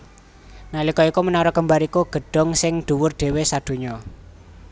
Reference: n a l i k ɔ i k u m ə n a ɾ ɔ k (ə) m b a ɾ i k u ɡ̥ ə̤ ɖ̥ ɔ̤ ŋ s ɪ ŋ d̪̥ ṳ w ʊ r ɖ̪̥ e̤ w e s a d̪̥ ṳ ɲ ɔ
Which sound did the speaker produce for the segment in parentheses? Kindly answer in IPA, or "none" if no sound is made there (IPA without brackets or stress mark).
ə